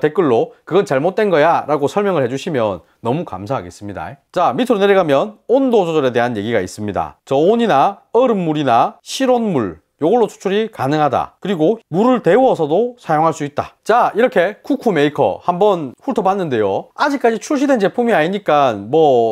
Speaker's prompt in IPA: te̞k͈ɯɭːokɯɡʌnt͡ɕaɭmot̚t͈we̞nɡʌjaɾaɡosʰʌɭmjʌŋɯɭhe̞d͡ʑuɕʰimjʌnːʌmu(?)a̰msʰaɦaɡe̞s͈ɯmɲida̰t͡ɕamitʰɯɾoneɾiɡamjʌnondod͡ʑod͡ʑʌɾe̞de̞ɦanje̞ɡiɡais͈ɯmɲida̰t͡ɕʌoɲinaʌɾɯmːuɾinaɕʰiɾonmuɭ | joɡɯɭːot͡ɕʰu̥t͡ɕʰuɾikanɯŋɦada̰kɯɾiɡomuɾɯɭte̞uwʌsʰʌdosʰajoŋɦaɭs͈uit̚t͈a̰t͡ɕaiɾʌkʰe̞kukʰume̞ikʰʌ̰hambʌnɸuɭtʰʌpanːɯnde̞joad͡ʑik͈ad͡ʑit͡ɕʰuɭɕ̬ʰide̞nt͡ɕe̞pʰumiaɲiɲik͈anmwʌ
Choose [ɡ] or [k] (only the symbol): k